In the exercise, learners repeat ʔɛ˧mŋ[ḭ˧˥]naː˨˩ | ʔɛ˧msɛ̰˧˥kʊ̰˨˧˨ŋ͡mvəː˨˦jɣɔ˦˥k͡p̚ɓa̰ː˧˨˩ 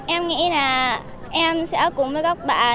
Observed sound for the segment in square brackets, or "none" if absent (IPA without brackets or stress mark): ḭ˧˥